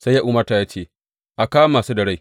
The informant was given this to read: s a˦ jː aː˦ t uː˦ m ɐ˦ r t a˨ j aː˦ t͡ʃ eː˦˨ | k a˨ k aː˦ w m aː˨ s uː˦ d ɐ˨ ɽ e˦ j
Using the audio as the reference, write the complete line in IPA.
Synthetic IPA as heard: s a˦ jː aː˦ ʔ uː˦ m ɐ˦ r t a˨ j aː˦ t͡ʃ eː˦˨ | ʔ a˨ k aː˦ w m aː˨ s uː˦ d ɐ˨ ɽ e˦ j